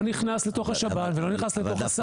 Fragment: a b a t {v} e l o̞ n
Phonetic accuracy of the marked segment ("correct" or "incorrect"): correct